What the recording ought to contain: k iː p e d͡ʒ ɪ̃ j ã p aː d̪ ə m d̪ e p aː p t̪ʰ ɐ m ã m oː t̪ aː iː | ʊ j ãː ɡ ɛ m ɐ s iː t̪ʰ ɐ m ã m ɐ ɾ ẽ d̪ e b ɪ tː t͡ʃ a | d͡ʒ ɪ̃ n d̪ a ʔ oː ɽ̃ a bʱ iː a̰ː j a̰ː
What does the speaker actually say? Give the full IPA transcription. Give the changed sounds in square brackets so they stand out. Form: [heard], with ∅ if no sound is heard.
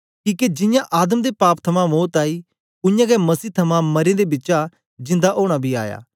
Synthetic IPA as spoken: k iː [k] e d͡ʒ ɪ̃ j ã [ʔ] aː d̪ ə m d̪ e p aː p t̪ʰ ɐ m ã m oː t̪ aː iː | ʊ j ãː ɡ ɛ m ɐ s iː t̪ʰ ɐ m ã m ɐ ɾ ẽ d̪ e b ɪ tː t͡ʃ a | d͡ʒ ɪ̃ n d̪ a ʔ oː ɽ̃ a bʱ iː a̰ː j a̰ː